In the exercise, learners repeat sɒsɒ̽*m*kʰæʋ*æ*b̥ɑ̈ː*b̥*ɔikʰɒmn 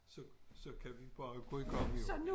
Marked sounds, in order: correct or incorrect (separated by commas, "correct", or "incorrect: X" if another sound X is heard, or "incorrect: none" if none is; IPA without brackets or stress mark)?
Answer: incorrect: none, incorrect: i, incorrect: ɡ̥